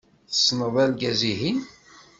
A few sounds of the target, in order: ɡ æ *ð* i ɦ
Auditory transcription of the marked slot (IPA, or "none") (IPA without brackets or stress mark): z